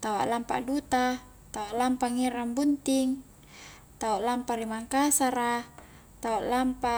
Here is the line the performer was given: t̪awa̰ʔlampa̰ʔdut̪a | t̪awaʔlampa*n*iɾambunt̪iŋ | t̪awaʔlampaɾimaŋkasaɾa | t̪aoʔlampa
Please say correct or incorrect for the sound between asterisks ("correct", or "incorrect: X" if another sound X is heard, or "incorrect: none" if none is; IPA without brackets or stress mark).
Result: incorrect: ŋ